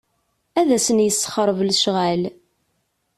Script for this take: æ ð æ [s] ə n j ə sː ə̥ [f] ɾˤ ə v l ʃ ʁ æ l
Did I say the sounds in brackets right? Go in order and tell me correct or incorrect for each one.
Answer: correct, incorrect: χ

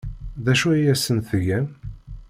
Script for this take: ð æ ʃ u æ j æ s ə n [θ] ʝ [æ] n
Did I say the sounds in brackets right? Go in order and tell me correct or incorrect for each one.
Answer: correct, correct

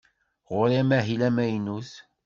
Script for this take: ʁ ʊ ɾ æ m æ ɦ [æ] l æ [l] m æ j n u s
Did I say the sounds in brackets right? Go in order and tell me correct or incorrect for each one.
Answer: incorrect: i, incorrect: none

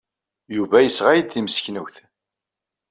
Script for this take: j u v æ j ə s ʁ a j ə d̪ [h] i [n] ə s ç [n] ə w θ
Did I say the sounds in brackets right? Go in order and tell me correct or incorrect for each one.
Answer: incorrect: θ, incorrect: m, correct

